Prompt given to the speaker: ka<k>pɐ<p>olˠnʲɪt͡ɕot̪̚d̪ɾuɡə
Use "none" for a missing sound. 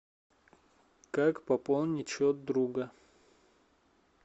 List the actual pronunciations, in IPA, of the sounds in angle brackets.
k, p

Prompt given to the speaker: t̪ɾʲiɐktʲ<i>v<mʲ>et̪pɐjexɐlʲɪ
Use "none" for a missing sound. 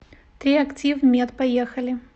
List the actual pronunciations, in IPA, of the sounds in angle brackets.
i, mʲ

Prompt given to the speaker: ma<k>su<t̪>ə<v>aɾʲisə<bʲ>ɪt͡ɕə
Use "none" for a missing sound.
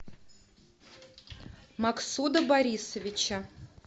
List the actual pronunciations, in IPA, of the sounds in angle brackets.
k, d̪, b, vʲ

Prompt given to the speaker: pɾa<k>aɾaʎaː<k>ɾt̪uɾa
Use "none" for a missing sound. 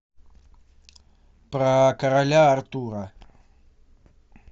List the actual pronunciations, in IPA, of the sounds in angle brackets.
k, none

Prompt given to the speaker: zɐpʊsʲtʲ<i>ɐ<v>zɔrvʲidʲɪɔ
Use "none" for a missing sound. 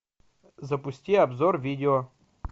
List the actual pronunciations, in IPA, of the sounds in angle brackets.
i, b

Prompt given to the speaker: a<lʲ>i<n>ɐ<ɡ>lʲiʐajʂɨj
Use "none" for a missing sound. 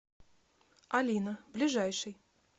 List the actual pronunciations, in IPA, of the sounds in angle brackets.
lʲ, n, b

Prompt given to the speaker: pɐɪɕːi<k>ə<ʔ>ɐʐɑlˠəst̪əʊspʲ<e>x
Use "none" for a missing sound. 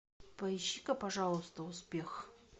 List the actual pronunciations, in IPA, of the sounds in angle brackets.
k, p, e

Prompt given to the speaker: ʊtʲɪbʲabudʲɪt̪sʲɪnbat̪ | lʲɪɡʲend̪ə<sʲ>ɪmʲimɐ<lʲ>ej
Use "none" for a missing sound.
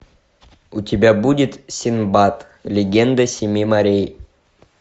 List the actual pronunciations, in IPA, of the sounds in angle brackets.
sʲ, ɾʲ

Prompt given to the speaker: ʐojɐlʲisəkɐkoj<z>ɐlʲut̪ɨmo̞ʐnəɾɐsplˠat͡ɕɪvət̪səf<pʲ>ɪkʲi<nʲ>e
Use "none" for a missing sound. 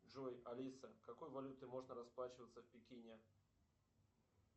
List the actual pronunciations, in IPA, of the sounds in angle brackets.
v, pʲ, nʲ

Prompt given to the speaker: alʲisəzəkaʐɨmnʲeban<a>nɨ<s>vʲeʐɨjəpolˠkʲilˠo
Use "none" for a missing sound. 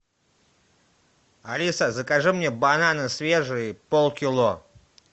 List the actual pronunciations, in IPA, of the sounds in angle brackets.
a, s

